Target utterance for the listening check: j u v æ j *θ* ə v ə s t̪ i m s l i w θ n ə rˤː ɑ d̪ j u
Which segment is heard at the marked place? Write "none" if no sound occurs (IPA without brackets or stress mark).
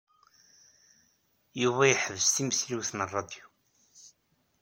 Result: ħ